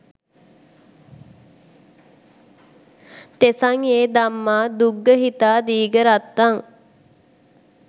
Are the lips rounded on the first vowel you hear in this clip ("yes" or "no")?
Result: no